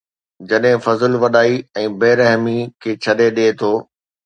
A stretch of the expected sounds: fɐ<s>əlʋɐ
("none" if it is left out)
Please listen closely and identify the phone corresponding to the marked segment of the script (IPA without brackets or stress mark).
z